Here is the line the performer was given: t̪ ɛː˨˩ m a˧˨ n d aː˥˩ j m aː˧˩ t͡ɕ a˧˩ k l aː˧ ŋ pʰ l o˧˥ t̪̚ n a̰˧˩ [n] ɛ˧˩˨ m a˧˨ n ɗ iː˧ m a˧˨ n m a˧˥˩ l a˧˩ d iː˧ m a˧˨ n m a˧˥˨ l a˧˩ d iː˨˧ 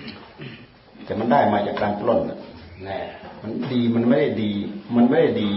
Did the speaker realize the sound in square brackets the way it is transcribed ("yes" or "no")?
yes